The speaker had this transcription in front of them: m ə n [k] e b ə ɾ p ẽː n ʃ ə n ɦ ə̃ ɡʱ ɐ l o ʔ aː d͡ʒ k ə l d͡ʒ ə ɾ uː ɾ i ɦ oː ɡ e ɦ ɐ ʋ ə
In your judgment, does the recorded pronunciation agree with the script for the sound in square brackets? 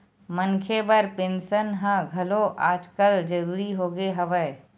no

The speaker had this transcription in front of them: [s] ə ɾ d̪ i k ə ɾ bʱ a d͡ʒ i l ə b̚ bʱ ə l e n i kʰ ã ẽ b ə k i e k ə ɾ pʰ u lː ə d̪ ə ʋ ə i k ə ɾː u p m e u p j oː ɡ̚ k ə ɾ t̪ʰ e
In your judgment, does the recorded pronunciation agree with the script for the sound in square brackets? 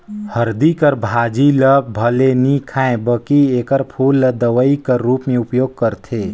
no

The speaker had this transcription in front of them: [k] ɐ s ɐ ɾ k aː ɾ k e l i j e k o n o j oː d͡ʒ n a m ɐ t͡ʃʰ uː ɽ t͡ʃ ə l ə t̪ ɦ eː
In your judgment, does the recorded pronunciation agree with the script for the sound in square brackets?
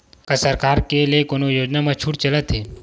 yes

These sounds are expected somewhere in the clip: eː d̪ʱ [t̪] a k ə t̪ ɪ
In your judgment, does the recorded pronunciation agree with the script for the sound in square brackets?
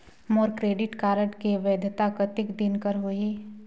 yes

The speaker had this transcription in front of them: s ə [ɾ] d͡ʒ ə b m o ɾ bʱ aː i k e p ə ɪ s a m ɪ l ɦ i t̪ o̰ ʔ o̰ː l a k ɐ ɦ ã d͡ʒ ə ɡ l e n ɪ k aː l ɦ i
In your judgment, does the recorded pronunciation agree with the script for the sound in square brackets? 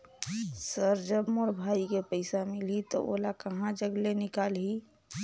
yes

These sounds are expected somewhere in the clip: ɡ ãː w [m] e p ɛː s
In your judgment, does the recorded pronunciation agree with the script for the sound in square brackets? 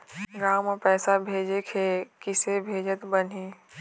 yes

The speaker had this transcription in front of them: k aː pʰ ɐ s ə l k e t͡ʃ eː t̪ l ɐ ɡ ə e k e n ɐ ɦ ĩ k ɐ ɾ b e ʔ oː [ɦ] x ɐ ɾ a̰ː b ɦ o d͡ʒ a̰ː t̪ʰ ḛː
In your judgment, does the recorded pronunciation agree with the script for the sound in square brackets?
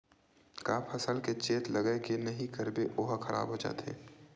yes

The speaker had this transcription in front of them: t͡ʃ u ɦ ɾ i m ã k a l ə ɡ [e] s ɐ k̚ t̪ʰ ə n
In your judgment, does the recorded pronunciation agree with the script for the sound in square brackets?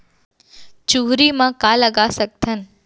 no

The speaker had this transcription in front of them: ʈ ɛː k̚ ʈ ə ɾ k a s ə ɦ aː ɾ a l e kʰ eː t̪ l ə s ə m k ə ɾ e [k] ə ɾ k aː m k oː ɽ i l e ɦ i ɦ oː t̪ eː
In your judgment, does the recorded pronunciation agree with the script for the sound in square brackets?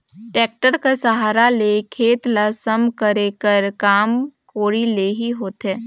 yes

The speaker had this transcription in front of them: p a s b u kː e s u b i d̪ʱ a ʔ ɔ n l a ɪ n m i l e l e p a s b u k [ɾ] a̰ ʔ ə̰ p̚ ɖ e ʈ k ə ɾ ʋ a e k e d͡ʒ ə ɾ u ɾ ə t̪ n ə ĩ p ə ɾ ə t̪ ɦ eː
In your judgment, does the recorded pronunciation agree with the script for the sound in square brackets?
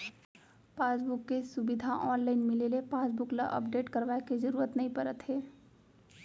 no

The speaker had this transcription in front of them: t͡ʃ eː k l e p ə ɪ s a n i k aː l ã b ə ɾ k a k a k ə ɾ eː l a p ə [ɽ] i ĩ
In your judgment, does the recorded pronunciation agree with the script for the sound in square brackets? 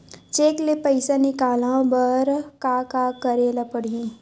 yes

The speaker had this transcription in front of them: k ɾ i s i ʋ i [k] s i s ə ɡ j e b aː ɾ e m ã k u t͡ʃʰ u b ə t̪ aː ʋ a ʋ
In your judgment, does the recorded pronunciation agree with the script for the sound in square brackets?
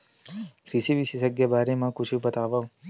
no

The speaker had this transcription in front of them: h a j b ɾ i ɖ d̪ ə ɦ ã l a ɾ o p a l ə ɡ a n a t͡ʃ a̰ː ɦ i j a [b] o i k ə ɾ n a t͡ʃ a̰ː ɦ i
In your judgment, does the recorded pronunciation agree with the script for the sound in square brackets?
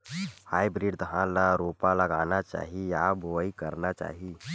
yes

